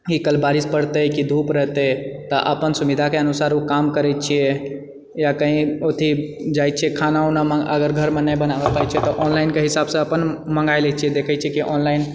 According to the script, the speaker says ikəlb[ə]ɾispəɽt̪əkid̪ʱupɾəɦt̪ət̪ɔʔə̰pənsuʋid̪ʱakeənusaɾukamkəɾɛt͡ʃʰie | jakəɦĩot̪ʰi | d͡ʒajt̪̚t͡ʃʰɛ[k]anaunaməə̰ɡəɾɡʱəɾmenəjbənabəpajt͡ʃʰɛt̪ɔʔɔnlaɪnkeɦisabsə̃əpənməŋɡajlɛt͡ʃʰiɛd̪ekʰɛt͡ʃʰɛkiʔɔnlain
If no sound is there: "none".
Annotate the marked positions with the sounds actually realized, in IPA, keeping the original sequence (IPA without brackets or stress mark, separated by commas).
a, kʰ